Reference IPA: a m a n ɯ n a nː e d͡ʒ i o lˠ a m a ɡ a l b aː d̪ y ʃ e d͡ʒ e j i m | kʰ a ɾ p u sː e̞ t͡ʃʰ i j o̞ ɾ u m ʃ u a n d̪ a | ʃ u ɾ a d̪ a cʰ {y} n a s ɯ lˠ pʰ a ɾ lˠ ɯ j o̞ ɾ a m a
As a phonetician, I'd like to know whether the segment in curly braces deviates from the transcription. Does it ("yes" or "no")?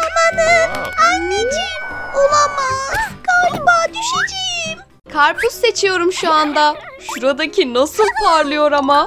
yes